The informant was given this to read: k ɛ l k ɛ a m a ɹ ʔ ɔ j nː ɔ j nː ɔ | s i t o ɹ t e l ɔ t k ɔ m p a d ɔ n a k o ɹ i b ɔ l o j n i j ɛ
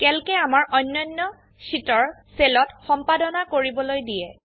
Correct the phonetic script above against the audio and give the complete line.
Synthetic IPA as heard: k ɛ l k ɛ a m a ɹ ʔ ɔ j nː ɔ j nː ɔ | s i t ɔ ɹ s e l ɔ t x ɔ m p a d ɔ n a k o ɹ i b ɔ l o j d i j ɛ